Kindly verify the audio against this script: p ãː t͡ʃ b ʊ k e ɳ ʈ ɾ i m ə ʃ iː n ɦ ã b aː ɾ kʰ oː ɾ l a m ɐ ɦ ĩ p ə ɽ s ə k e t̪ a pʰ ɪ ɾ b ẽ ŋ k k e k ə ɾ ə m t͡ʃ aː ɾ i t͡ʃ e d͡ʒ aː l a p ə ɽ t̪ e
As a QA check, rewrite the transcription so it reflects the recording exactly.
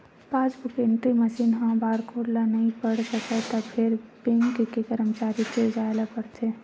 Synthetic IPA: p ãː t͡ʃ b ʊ k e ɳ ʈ ɾ i m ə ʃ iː n ɦ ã b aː ɾ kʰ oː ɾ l a n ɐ ɦ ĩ p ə ɽ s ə k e t̪ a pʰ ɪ ɾ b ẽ ŋ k k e k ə ɾ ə m t͡ʃ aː ɾ i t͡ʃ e d͡ʒ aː l a p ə ɽ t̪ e